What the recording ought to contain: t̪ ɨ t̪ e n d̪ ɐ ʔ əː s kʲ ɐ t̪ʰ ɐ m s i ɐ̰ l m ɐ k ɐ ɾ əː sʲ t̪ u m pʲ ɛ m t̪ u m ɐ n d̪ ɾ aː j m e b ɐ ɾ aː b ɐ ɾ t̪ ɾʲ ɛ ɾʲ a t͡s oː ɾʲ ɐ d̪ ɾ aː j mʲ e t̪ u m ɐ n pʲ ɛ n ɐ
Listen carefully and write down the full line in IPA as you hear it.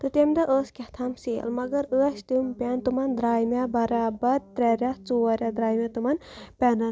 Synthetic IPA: t̪ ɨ t̪ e m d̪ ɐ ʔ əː s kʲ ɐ t̪ʰ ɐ m s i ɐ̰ l m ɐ ɡ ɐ ɾ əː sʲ t̪ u m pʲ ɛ n t̪ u m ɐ n d̪ ɾ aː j m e b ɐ ɾ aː b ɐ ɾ t̪ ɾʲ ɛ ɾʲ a t͡s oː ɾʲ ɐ d̪ ɾ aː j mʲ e t̪ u m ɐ n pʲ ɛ n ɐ

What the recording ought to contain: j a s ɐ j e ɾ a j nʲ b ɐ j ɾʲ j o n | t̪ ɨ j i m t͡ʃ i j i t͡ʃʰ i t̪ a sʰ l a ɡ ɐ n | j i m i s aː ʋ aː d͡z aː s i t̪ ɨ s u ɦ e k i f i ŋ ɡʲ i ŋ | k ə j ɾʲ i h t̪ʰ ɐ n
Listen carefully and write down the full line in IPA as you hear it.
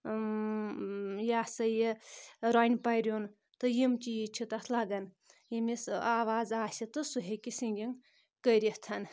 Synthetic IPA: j a s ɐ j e ɾ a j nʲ p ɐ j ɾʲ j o n | t̪ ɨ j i m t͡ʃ i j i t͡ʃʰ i t̪ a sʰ l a ɡ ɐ n | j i m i s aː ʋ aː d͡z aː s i t̪ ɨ s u ɦ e k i s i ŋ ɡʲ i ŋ | k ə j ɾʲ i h t̪ʰ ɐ n

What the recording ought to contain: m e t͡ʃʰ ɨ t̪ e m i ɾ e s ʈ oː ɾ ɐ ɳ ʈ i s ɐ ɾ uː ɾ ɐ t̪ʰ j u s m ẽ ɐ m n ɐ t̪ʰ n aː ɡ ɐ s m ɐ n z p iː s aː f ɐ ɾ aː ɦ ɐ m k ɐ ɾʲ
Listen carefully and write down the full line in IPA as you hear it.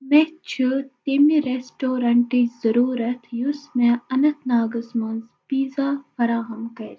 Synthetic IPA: m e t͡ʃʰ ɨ t̪ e m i ɾ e s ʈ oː ɾ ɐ ɳ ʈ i z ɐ ɾ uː ɾ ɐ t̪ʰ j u s m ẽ ɐ n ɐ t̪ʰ n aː ɡ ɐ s m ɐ n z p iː z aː f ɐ ɾ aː ɦ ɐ m k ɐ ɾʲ

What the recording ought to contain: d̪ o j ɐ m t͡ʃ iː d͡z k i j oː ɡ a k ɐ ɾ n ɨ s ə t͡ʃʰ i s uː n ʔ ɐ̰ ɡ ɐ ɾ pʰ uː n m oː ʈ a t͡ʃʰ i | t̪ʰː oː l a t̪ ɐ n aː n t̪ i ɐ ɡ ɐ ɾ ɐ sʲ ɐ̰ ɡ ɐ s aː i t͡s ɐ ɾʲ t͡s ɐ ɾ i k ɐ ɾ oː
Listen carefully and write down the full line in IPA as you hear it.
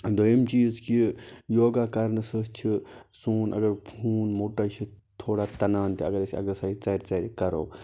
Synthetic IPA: d̪ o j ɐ m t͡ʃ iː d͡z k i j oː ɡ a k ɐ ɾ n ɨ s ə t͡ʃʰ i s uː n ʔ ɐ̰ ɡ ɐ ɾ pʰ uː n m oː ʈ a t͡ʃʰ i | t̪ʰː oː ɽ a t̪ ɐ n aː n t̪ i ɐ ɡ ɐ ɾ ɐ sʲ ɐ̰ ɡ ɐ s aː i t͡s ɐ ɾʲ t͡s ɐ ɾ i k ɐ ɾ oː

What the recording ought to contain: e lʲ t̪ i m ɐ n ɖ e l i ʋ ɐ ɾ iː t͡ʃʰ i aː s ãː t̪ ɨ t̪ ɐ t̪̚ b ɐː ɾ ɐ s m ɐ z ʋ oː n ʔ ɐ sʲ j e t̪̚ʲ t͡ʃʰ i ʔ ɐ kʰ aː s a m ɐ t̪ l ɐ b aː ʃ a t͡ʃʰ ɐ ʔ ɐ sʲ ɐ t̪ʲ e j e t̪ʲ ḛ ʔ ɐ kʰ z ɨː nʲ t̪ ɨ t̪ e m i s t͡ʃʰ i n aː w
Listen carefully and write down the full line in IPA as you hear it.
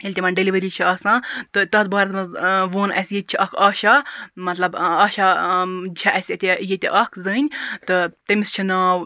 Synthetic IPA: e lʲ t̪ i m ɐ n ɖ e l i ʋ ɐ ɾ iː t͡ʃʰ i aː s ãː t̪ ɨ t̪ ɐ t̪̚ b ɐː ɾ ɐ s m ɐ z ʋ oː n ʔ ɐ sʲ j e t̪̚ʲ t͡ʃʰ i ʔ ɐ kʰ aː ʃ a m ɐ t̪ l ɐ b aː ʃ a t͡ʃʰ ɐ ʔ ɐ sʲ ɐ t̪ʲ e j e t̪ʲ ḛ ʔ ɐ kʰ z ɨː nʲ t̪ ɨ t̪ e m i s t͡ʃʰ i n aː w

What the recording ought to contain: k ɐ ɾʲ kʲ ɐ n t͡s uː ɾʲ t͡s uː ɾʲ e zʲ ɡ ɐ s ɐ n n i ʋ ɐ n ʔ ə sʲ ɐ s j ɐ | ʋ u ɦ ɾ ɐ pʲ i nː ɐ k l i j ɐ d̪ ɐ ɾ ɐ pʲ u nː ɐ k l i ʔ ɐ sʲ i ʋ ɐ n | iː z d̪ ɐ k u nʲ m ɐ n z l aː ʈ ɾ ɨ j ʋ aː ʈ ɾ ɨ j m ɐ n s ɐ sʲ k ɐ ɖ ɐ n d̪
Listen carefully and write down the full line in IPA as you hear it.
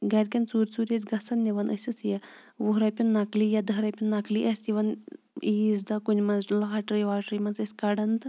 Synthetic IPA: ɡ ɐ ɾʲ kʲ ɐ n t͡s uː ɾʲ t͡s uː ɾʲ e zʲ ɡ ɐ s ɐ n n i ʋ ɐ n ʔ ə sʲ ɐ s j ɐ | ʋ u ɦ ɾ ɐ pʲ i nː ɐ k l i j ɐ d̪ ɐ ɾ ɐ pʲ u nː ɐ k l i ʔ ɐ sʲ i ʋ ɐ n | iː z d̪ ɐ k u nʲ m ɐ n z l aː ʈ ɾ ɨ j ʋ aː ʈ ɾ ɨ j m ɐ n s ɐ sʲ k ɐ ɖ ɐ n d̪

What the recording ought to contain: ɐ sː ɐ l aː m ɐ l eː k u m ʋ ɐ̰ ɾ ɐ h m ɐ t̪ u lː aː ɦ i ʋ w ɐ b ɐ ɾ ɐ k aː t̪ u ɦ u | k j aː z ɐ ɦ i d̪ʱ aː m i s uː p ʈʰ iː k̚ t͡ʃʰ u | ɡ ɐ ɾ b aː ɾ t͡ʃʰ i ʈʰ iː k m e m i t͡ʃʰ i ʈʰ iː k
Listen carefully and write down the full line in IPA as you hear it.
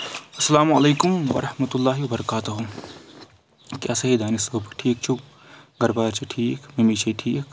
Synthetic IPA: ɐ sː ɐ l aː m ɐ l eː k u m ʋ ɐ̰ ɾ ɐ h m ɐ t̪ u lː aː ɦ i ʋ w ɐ b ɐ ɾ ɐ k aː t̪ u ɦ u | k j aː s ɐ ɦ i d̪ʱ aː n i s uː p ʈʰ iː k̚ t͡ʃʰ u | ɡ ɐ ɾ b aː ɾ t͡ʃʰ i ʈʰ iː k m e m i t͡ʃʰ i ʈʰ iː k

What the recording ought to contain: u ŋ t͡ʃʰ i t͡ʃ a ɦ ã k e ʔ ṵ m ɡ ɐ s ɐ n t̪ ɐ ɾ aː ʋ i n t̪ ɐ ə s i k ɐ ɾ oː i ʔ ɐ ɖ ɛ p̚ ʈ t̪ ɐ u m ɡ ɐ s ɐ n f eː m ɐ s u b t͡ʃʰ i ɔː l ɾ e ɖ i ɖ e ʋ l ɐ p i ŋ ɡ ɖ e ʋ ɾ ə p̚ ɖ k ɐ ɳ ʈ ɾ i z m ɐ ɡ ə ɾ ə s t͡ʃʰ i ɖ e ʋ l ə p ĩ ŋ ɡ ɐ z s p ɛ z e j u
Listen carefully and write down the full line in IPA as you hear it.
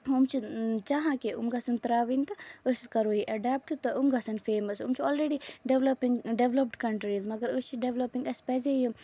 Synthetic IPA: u m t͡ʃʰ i t͡ʃ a ɦ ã k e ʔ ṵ m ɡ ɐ s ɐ n t̪ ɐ ɾ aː ʋ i n t̪ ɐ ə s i k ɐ ɾ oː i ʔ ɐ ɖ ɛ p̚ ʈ t̪ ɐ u m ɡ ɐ s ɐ n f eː m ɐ s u m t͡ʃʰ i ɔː l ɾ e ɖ i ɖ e ʋ l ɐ p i ŋ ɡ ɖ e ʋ l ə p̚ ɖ k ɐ ɳ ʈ ɾ i z m ɐ ɡ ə ɾ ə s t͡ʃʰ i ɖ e ʋ l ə p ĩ ŋ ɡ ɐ s p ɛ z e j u

